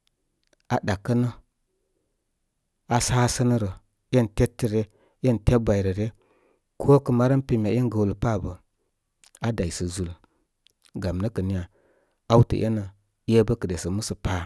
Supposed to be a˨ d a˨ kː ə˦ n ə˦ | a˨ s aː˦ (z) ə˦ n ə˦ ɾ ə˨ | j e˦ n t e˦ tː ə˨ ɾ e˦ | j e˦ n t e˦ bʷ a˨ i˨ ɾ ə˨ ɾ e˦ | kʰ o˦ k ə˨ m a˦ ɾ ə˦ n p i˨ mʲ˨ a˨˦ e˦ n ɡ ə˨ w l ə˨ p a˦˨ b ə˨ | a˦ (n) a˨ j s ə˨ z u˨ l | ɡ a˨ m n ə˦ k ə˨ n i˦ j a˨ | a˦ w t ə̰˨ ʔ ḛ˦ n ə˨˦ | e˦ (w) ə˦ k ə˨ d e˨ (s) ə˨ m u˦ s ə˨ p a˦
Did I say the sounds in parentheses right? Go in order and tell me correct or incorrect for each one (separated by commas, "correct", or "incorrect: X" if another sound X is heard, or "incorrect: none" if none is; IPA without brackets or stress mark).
incorrect: s, incorrect: d, incorrect: b, correct